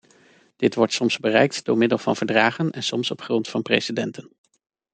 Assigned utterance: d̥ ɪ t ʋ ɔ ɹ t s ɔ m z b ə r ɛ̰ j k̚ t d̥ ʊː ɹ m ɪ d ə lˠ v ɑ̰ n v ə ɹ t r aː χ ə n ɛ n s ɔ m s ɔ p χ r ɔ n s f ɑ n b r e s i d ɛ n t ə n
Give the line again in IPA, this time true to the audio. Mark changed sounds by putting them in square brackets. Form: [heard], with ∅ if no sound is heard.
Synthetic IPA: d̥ ɪ t ʋ ɔ ɹ t s ɔ m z b ə r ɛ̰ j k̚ t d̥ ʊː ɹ m ɪ d ə lˠ v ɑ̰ n v ə ɹ [d] r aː χ ə n ɛ n s ɔ m s ɔ p χ r ɔ n [t] f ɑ n [p] r e s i d ɛ n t ə n